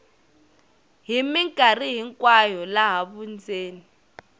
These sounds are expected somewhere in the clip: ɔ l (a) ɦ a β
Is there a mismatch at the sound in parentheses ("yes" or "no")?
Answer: no